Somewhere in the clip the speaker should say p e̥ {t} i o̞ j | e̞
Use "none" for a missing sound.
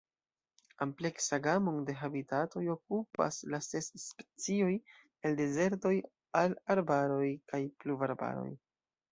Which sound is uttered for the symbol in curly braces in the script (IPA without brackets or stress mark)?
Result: t͡s